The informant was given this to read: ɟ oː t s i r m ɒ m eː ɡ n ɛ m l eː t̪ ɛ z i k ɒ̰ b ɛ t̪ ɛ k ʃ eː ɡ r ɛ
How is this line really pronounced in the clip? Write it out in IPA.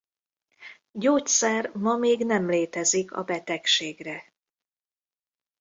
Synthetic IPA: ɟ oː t s ɛ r m ɒ m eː ɡ n ɛ m l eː t̪ ɛ z i k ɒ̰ b ɛ t̪ ɛ k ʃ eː ɡ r ɛ